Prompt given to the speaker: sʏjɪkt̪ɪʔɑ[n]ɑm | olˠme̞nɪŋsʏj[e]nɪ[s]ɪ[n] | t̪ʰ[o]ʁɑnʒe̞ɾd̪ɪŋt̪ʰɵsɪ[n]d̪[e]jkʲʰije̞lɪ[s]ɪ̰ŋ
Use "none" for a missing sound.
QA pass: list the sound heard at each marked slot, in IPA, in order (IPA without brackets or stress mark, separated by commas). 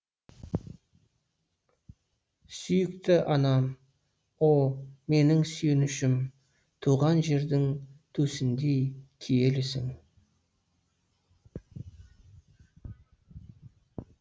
n, e, ʃ, m, u, n, e, s